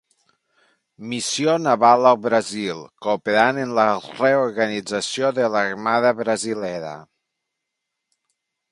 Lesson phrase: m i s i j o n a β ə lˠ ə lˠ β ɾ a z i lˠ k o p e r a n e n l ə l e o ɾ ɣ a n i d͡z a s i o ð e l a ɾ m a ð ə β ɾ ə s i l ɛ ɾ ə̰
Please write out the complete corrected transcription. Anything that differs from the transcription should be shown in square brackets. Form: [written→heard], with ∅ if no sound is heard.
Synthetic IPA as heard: m i s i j o n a β [ə→a] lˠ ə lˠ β ɾ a z i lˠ k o p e [r→ɾ] a n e n l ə [l→r] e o ɾ ɣ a n i d͡z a s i o ð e l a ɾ m a ð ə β ɾ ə [s→z] i l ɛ ɾ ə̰